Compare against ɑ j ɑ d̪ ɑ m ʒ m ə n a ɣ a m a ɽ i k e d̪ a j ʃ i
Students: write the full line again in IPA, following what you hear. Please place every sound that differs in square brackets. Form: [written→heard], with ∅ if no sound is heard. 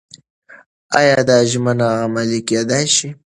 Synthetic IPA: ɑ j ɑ d̪ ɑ [m→∅] ʒ m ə n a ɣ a m a [ɽ→l] i k e d̪ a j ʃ i